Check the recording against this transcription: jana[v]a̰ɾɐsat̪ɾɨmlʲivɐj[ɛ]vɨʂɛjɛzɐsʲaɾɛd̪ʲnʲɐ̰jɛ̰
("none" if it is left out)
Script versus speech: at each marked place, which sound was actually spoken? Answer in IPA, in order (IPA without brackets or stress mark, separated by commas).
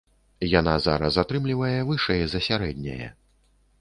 z, ɛ